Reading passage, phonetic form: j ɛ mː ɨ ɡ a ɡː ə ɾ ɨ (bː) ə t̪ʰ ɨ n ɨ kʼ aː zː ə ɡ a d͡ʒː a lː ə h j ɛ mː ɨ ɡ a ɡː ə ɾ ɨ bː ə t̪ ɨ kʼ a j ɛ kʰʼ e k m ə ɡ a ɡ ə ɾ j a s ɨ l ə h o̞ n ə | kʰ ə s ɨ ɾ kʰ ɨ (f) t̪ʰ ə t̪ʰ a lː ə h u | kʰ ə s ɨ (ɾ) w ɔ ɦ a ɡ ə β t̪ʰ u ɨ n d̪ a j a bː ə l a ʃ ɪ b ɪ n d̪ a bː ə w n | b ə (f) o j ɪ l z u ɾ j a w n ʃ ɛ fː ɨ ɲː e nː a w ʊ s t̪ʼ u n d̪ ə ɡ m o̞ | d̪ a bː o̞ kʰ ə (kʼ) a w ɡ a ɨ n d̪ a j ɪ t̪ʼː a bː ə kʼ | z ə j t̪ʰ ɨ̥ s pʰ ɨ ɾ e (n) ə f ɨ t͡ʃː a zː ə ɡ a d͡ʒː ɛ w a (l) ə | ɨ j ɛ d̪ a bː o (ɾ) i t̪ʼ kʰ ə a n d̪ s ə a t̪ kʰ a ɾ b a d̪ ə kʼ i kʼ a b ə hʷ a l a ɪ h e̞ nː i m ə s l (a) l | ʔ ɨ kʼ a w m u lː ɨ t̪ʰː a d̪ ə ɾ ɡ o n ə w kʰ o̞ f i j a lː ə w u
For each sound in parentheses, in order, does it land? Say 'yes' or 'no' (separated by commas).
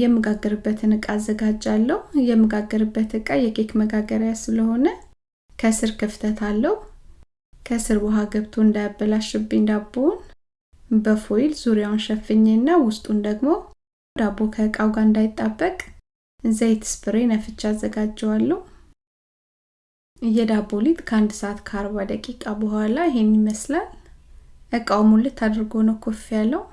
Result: yes, yes, yes, yes, yes, yes, no, no, yes